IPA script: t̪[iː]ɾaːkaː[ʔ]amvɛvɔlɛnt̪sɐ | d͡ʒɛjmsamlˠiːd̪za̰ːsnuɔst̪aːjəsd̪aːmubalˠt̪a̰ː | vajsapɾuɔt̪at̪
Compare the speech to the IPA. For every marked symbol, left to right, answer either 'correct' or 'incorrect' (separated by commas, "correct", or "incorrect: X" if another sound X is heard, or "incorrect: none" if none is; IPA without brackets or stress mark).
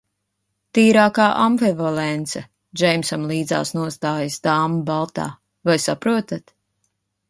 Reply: correct, correct